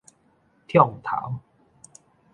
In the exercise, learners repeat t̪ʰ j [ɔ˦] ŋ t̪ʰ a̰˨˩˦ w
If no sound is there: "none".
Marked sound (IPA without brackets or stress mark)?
ɔ˥˨